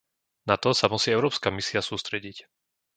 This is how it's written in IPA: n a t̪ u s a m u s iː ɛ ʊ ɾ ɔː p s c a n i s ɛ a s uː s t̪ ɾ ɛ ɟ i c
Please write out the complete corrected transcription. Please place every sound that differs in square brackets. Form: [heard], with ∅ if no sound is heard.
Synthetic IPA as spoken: n a t̪ [ɔ] s a m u s iː ɛ ʊ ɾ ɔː p s [k] a [m] i s [i] a s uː s t̪ ɾ ɛ ɟ i c